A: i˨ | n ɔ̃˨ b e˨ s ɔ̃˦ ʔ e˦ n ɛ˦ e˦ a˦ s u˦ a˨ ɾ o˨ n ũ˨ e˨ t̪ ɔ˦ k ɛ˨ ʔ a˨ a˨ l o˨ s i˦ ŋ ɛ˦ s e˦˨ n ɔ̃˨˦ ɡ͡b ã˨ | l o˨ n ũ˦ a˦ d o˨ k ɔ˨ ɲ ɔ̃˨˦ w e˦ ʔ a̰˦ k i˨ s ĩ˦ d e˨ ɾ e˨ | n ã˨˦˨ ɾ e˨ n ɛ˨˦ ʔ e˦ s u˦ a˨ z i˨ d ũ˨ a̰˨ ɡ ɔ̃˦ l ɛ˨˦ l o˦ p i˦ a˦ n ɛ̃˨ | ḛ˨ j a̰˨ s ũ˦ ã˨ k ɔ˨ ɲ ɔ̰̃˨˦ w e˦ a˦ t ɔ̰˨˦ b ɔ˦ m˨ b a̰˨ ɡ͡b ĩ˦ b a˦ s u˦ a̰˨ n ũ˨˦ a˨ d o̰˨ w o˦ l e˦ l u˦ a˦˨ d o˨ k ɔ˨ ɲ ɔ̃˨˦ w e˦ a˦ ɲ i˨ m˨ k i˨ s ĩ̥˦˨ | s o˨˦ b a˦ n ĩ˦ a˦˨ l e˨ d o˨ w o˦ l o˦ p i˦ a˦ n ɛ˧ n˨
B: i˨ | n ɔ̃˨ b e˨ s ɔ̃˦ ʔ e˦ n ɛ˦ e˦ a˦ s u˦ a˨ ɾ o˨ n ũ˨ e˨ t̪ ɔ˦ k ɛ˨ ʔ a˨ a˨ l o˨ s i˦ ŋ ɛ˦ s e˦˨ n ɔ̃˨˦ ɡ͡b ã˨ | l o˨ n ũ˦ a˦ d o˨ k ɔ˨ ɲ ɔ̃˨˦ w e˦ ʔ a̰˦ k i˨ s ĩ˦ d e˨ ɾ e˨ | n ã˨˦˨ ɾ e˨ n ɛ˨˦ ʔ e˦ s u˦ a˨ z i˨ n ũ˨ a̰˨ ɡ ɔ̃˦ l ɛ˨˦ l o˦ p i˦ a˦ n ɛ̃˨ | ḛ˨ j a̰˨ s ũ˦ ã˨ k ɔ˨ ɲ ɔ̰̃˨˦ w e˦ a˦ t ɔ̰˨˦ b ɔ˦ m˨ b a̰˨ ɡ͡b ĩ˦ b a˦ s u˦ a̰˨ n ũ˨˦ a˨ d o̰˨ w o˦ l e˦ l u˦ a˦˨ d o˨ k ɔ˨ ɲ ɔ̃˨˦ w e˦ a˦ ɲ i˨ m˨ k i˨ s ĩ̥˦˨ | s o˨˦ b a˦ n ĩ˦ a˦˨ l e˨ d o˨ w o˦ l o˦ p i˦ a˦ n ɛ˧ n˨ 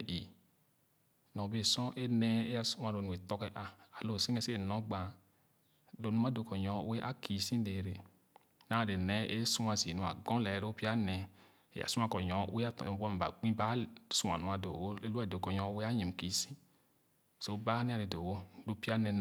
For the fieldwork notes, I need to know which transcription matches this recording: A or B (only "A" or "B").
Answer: B